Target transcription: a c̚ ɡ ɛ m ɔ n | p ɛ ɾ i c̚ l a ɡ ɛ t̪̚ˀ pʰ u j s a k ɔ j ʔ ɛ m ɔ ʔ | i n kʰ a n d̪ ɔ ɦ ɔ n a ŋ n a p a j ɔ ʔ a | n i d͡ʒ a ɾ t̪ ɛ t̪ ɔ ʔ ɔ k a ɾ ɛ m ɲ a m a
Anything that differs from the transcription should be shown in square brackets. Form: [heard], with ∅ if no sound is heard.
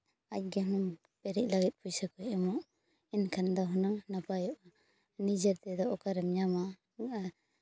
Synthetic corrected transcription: a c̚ ɡ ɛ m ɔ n | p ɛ ɾ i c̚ l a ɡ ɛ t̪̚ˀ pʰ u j s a k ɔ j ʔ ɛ m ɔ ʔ | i n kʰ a n d̪ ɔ ɦ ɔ n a ŋ n a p a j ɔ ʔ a | n i d͡ʒ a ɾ t̪ ɛ [d̪] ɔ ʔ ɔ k a ɾ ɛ m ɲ a m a